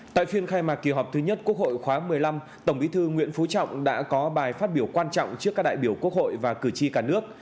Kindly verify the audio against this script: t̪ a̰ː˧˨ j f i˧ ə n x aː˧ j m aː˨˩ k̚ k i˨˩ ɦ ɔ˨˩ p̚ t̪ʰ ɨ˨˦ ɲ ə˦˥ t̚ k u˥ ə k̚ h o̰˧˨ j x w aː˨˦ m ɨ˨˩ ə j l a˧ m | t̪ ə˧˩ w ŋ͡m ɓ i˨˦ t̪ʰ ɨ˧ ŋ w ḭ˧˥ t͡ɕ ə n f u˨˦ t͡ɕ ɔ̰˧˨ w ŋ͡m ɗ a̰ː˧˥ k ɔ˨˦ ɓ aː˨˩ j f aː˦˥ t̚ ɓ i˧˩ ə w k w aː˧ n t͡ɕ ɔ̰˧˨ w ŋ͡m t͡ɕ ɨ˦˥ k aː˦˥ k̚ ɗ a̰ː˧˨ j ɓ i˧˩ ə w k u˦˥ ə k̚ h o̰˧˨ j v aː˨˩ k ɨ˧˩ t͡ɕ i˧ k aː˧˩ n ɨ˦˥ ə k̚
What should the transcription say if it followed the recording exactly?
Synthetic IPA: t̪ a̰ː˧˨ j f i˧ ə n x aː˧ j m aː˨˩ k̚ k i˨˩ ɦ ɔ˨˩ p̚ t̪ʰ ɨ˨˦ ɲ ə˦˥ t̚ k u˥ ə k̚ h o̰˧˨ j x w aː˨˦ m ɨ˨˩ ə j l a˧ m | t̪ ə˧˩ w ŋ͡m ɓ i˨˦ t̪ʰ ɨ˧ ŋ w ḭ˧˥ ə n f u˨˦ t͡ɕ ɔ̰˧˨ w ŋ͡m ɗ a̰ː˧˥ k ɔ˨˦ ɓ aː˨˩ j f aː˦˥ t̚ ɓ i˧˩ ə w k w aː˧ n t͡ɕ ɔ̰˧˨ w ŋ͡m t͡ɕ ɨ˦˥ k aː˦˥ k̚ ɗ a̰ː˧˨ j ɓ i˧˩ ə w k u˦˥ ə k̚ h o̰˧˨ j v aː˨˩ k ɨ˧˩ t͡ɕ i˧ k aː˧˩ n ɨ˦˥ ə k̚